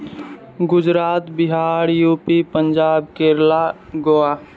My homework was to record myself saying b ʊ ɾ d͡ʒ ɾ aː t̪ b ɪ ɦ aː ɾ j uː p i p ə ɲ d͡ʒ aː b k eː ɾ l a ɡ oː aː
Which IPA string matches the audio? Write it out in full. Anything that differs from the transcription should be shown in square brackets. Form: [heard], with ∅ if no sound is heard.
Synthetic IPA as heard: [ɡ] ʊ [∅] d͡ʒ ɾ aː t̪ b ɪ ɦ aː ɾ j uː p i p ə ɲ d͡ʒ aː b k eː ɾ l a ɡ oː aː